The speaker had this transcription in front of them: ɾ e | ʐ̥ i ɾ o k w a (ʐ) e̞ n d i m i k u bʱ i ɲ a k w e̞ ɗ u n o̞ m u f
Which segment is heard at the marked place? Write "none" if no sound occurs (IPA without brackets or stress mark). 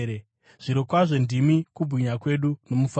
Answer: ʐ